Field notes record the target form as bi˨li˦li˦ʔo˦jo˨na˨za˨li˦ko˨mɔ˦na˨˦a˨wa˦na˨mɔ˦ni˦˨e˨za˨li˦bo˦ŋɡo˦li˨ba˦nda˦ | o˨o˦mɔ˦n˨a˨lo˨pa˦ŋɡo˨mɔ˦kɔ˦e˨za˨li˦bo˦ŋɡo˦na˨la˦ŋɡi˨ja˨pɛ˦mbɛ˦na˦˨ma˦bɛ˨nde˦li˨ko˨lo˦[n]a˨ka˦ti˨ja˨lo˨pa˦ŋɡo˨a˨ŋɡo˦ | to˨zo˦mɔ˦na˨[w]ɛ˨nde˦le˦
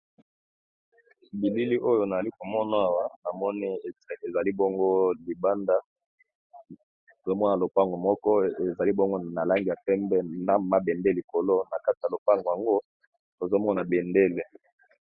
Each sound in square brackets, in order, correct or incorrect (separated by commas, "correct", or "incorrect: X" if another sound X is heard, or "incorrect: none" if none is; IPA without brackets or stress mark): correct, incorrect: b